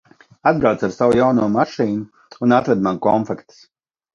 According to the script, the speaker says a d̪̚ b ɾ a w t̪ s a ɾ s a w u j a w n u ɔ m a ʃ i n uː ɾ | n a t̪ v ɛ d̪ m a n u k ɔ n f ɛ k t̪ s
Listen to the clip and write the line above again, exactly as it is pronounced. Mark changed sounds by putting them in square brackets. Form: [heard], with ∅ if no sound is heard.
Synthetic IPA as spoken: a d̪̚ b ɾ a w t̪ s a ɾ s a w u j a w n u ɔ m a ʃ [iː] n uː [∅] | n a t̪ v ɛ d̪ m a n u k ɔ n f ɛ k t̪ s